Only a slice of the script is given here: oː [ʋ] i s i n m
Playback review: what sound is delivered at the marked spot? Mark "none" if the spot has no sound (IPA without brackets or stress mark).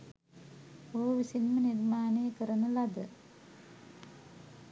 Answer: ʋ